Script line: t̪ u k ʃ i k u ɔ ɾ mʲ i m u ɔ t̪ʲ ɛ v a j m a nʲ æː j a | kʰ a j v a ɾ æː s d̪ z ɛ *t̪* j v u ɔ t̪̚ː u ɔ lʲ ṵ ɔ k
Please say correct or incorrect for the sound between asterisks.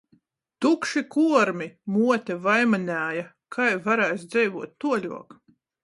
incorrect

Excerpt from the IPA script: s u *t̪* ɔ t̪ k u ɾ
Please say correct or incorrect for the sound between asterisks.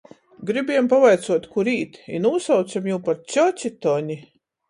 incorrect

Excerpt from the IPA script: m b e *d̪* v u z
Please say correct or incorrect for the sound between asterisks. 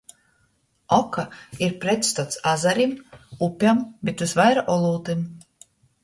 incorrect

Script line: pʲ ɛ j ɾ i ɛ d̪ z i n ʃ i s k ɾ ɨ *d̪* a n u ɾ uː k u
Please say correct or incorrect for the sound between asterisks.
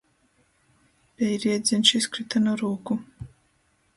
incorrect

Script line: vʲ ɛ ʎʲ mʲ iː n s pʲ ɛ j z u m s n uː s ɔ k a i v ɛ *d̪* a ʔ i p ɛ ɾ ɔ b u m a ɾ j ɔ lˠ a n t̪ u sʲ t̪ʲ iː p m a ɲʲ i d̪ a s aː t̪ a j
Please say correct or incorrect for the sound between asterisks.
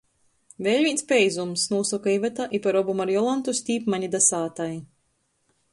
incorrect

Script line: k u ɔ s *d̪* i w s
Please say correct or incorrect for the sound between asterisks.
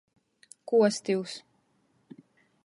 incorrect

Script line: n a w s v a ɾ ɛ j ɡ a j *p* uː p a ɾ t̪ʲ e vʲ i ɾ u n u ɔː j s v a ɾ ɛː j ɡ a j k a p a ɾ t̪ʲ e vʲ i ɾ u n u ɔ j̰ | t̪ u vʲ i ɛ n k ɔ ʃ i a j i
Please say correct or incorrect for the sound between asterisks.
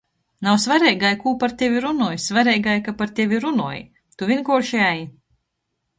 incorrect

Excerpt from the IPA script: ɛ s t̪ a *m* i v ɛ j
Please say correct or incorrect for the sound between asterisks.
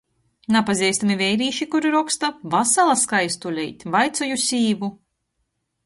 correct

